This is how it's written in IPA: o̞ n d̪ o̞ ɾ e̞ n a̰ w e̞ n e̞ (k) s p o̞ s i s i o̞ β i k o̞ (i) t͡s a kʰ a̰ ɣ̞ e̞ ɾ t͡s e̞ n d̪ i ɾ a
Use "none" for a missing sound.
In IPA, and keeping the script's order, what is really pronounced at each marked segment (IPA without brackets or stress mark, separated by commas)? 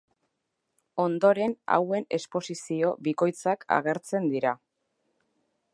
none, j